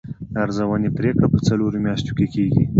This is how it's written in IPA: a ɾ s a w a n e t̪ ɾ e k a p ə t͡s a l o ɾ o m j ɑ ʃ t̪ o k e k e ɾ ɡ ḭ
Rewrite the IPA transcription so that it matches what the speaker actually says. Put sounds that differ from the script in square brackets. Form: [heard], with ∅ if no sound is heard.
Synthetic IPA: a ɾ [z] a w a n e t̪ ɾ e k a p ə t͡s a l o ɾ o m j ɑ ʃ t̪ o k e k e [∅] ɡ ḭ